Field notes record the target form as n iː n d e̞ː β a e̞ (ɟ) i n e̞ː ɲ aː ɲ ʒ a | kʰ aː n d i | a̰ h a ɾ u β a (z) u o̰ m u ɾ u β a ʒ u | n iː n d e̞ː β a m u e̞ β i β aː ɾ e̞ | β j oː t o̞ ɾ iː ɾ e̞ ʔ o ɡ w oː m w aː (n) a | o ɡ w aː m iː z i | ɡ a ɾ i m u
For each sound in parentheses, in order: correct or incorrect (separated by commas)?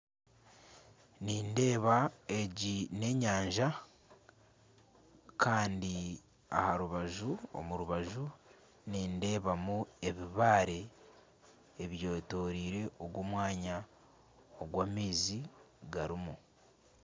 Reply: correct, incorrect, incorrect